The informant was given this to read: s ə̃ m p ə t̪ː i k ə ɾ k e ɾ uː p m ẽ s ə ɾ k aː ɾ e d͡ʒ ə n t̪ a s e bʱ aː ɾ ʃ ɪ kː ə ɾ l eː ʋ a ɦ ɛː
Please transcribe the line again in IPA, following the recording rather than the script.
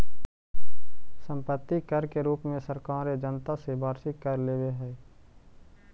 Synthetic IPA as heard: s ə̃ m p ə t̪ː i k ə ɾ k e ɾ uː p m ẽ s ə ɾ k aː ɾ e d͡ʒ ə n t̪ a s e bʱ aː ɾ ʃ ɪ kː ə ɾ l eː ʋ e ɦ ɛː